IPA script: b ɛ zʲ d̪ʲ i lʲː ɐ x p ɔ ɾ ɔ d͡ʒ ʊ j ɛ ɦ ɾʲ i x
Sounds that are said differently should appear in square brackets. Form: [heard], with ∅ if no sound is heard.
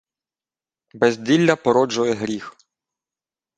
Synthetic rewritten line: b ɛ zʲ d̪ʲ i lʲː ɐ [∅] p ɔ ɾ ɔ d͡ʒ ʊ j ɛ ɦ ɾʲ i x